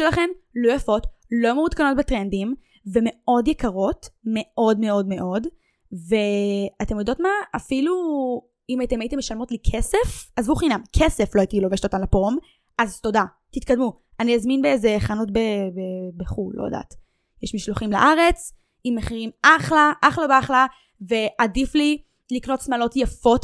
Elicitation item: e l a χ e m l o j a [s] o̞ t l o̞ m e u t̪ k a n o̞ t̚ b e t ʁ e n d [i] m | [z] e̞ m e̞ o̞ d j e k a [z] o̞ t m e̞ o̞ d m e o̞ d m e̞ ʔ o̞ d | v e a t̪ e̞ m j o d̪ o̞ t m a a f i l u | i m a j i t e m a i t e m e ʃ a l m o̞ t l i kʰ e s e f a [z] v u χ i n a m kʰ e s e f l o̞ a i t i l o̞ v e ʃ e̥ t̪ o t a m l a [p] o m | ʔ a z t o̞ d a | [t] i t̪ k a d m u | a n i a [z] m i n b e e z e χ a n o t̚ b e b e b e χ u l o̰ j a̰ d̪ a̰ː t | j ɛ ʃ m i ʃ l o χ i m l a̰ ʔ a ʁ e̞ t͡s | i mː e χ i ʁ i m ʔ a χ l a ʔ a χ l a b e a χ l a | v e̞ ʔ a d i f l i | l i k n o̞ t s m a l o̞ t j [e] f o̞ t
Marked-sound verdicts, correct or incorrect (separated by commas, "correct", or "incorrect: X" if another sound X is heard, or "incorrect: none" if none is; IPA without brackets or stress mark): incorrect: f, correct, incorrect: v, incorrect: ʁ, correct, correct, correct, correct, incorrect: a